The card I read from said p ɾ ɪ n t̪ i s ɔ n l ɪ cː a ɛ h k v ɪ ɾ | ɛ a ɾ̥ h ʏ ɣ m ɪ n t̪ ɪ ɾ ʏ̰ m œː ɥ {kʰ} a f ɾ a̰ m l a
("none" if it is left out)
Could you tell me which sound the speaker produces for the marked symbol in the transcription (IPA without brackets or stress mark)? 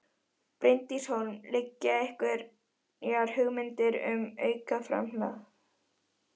k